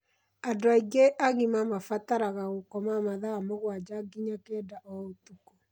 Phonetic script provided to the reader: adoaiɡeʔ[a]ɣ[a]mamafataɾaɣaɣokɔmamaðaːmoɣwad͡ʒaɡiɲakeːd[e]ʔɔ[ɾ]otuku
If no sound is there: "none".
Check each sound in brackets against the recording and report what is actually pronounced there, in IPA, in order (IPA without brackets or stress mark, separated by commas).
a, i, a, none